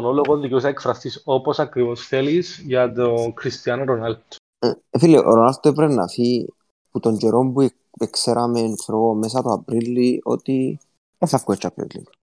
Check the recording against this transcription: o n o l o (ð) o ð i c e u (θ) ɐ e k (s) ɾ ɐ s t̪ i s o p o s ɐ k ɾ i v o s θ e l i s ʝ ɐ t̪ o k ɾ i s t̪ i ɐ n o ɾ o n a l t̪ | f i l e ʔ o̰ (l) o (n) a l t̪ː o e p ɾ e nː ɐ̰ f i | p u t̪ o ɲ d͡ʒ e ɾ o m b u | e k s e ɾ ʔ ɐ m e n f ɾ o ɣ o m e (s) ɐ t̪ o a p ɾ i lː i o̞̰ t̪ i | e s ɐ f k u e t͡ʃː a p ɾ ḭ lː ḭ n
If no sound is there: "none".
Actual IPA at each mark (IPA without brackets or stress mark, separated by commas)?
ɣ, s, f, ɾ, n, s